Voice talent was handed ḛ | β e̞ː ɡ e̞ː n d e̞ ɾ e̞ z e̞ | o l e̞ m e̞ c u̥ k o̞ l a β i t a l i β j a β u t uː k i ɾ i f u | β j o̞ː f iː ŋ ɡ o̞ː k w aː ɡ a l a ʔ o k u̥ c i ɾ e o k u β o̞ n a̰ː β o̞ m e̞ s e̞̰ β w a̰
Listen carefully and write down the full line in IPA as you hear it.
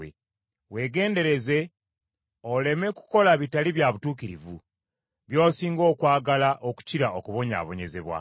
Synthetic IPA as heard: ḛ | w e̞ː ɡ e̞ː n d e̞ ɾ e̞ z e̞ | o l e̞ m e̞ k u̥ k o̞ l a β i t a l i β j a β u t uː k i ɾ i v u | β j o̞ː s iː ŋ ɡ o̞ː k w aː ɡ a l a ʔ o k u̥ c i ɾ a o k u β o̞ ɲ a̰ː β o̞ ɲ e̞ z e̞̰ β w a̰